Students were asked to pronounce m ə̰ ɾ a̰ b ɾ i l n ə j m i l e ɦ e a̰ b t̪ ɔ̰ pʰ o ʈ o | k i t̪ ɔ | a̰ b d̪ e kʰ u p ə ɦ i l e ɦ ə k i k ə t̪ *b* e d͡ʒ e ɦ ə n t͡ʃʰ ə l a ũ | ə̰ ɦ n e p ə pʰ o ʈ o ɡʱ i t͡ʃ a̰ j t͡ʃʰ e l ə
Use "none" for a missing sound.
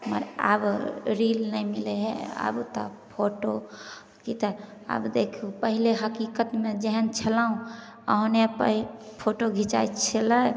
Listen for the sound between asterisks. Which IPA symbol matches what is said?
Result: m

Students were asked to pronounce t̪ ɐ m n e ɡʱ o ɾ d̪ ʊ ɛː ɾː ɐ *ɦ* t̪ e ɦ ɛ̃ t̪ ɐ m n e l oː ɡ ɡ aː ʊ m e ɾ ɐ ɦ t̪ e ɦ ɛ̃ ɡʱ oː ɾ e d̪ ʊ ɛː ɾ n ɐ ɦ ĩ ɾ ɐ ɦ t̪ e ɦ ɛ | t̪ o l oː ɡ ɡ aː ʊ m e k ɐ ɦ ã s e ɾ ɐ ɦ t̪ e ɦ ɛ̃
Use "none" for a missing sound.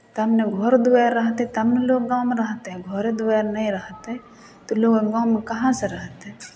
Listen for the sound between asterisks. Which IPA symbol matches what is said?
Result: ɦ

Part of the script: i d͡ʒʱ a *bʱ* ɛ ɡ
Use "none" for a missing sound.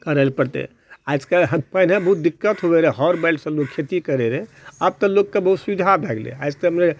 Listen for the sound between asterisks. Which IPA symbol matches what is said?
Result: bʱ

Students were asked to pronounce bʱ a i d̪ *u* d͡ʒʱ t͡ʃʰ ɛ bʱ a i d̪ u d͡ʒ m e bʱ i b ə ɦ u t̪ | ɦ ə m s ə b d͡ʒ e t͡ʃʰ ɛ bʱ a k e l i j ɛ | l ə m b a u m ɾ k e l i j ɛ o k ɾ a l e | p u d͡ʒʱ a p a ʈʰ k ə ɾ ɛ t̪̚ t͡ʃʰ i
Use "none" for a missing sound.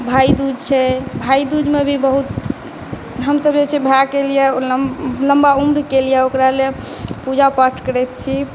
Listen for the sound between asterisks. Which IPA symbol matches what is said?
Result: u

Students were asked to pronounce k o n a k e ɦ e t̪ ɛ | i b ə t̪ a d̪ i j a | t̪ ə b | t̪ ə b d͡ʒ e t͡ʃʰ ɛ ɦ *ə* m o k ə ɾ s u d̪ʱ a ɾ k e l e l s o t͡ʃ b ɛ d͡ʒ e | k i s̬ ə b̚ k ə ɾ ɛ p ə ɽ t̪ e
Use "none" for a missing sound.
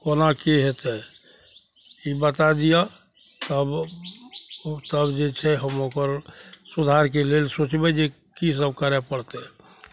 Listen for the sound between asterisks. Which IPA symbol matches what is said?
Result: ə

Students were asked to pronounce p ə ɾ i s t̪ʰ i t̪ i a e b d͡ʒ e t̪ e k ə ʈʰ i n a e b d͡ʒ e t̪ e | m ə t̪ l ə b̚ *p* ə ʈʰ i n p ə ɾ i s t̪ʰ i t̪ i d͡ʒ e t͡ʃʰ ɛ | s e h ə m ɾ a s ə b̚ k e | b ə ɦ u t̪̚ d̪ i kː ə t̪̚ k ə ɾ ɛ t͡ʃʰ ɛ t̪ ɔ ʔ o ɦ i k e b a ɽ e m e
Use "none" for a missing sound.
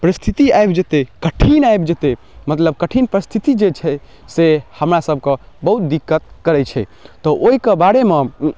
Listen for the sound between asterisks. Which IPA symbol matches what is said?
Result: k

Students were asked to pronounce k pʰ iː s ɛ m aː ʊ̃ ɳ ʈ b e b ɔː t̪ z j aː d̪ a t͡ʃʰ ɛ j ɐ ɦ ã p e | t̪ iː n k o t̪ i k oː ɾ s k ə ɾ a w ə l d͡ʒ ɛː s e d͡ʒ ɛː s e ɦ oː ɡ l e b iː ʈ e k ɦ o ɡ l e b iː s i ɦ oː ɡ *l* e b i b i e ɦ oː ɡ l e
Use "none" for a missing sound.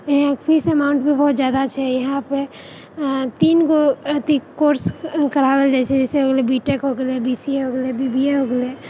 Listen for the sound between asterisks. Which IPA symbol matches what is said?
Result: l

